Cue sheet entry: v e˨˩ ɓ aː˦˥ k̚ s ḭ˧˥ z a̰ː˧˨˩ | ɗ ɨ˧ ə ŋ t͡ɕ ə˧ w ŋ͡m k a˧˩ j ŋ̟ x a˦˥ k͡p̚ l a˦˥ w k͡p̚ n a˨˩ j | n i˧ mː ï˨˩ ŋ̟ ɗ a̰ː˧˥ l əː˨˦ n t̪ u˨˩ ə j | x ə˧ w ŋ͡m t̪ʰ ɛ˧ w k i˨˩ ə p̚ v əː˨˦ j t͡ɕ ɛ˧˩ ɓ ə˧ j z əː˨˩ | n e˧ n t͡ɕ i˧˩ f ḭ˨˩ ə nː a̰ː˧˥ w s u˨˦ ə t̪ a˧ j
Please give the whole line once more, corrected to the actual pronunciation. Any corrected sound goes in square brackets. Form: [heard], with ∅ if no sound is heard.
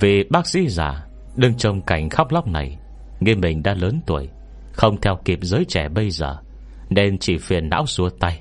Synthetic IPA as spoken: v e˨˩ ɓ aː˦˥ k̚ s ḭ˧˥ z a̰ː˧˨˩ | ɗ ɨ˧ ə ŋ t͡ɕ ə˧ w ŋ͡m k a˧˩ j ŋ̟ x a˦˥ k͡p̚ l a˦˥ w k͡p̚ n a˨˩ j | [ŋ] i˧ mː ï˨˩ ŋ̟ ɗ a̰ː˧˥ l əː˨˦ n t̪ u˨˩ ə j | x ə˧ w ŋ͡m t̪ʰ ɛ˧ w k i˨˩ ə p̚ [z] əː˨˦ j t͡ɕ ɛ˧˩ ɓ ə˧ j z əː˨˩ | n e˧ n t͡ɕ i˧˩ f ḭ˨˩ ə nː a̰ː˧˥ w s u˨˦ ə t̪ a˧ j